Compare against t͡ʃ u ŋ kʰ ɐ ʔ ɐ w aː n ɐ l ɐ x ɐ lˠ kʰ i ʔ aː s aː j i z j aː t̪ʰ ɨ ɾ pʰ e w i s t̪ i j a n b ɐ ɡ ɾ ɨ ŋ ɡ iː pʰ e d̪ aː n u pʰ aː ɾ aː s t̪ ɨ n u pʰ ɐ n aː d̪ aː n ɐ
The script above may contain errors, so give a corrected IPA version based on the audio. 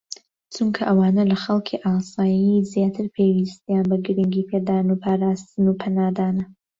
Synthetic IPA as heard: t͡ʃ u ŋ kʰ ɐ ʔ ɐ w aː n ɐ l ɐ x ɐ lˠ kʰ i ʔ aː s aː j i z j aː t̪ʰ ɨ ɾ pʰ e w i s t̪ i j a n b ɐ ɡ ɾ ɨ ŋ ɡ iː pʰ e d̪ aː n u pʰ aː ɾ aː s t̪ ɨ n u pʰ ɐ n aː d̪ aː n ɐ